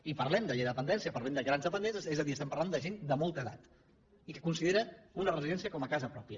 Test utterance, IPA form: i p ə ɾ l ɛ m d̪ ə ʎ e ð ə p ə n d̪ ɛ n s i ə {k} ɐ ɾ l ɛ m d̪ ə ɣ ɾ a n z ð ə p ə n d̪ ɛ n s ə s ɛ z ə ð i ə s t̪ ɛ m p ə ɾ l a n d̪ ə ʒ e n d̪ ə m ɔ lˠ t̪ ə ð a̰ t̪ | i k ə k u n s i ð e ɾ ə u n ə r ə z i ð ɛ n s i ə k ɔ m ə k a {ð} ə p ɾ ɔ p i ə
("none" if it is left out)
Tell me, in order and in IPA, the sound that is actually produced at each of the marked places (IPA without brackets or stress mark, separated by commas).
p, z